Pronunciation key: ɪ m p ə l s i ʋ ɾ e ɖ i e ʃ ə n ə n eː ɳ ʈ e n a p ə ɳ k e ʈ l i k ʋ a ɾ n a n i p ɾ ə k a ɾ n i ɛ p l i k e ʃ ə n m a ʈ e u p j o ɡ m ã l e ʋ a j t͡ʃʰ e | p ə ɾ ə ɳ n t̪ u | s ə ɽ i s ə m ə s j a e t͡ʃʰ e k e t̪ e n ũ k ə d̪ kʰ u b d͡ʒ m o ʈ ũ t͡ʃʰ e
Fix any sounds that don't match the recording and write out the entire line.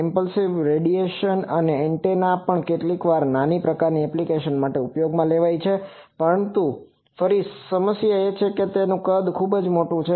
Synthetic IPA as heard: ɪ m p ə l s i ʋ ɾ e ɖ i e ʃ ə n ə n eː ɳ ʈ e n a p ə ɳ k e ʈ l i k ʋ a ɾ n a n i p ɾ ə k a ɾ n i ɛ p l i k e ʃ ə n m a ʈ e u p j o ɡ m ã l e ʋ a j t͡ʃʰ e | p ə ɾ ə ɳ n t̪ u | f ə ɾ i s ə m ə s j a e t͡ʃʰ e k e t̪ e n ũ k ə d̪ kʰ u b d͡ʒ m o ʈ ũ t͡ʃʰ e